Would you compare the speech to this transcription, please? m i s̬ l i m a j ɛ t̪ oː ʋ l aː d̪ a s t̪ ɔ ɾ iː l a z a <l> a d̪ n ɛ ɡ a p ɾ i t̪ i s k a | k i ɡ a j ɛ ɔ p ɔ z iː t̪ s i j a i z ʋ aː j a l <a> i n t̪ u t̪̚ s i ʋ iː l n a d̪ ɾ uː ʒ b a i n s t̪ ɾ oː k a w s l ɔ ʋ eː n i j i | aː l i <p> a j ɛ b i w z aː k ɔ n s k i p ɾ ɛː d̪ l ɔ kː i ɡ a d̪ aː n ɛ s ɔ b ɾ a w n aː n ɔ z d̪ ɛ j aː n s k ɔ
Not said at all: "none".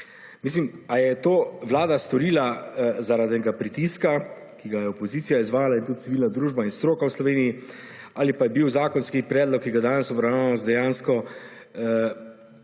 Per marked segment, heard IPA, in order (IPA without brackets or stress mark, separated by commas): ɾ, a, p